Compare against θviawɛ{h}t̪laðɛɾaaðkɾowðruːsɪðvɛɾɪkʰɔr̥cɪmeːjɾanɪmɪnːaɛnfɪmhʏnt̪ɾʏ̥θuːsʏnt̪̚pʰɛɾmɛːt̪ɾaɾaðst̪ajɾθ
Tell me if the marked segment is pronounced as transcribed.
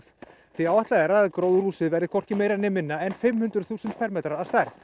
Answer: yes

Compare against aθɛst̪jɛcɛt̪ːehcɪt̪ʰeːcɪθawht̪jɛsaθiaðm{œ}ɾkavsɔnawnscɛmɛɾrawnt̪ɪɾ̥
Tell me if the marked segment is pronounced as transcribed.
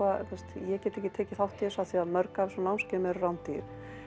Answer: yes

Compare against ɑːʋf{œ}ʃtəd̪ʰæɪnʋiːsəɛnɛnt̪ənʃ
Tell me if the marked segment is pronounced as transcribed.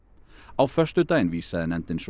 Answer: yes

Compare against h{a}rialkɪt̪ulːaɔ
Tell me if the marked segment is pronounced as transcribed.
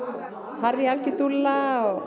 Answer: yes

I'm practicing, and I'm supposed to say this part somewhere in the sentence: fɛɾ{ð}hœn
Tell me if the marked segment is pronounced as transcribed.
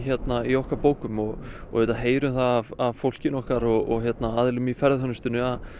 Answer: yes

